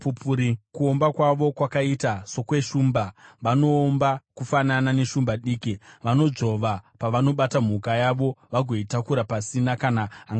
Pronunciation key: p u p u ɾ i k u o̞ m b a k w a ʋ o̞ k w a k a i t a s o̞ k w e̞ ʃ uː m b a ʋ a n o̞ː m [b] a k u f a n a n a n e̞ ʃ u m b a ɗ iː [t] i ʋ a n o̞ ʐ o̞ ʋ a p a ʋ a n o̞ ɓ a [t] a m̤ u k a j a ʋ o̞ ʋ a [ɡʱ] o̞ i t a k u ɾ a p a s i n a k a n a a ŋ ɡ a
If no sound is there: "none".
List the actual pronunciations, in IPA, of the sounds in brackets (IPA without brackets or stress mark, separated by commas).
b, k, t, ɡʱ